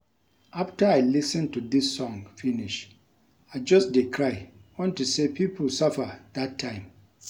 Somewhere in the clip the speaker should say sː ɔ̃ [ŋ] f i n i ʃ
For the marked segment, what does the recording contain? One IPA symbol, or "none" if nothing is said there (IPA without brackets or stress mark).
ŋ